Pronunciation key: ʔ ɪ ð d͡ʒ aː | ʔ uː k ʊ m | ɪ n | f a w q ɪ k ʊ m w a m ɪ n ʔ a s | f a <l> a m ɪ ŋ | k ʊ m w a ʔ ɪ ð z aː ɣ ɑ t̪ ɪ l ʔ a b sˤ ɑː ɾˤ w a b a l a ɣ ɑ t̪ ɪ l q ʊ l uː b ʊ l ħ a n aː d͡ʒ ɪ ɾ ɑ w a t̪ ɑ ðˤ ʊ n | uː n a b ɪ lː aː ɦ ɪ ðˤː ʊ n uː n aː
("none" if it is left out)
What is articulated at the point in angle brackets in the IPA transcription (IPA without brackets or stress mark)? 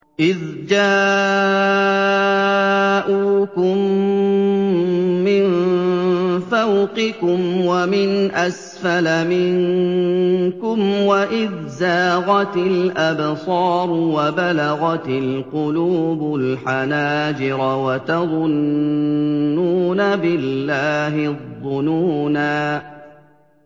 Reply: l